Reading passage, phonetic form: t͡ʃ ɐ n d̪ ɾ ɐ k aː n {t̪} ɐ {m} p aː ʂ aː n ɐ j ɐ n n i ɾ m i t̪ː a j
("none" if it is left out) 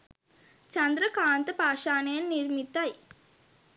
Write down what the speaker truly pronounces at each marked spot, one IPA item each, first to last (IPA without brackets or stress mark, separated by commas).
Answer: t̪, none